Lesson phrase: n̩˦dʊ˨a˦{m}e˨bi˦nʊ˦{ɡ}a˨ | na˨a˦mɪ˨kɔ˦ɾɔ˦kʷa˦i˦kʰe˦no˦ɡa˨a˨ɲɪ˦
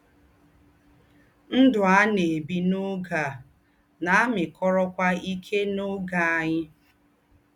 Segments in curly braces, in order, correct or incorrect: incorrect, correct

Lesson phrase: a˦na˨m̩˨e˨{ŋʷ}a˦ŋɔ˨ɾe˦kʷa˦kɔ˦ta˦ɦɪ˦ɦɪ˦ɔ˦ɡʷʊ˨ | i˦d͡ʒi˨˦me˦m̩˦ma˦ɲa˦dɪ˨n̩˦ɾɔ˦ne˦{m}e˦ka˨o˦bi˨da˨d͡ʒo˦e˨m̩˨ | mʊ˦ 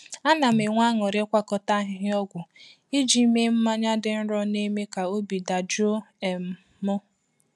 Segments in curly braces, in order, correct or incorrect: correct, correct

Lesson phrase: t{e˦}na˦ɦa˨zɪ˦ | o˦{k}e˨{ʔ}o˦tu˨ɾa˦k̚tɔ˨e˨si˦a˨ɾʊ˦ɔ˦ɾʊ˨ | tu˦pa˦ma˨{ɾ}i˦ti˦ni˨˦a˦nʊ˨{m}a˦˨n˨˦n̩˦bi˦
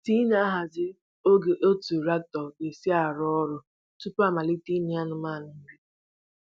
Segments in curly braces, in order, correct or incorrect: incorrect, incorrect, correct, incorrect, correct

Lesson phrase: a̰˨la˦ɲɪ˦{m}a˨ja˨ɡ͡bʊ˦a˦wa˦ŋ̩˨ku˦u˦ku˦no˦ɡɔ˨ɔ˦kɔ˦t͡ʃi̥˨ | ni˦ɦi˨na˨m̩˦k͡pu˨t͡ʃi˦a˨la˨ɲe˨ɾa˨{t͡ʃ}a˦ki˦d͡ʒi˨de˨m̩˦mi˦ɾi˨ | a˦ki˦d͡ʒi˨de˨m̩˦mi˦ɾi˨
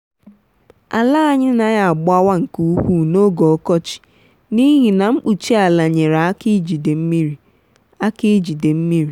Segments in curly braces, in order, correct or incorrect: incorrect, incorrect

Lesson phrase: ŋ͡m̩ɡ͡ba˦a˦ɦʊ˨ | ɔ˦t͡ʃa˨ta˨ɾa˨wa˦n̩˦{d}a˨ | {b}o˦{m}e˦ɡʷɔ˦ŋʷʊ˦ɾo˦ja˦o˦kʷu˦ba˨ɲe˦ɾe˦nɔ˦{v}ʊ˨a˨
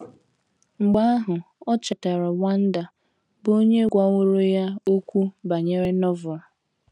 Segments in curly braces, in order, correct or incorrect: correct, correct, incorrect, correct

